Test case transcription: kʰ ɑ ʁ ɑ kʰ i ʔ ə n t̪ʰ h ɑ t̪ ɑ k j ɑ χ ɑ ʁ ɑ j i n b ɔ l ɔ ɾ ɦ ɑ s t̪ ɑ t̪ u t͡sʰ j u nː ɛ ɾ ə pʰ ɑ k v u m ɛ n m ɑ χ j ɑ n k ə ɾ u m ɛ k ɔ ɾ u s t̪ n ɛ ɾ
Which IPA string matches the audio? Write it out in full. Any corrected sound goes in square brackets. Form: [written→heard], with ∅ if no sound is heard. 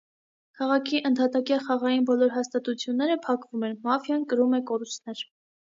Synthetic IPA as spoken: kʰ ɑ ʁ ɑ kʰ i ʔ ə n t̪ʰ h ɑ t̪ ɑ k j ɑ χ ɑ ʁ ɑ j i n b ɔ l ɔ ɾ ɦ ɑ s t̪ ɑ t̪ u t͡sʰ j u nː ɛ ɾ ə pʰ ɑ k v u m ɛ n m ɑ [χ→f] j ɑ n k ə ɾ u m ɛ k ɔ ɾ u s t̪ n ɛ ɾ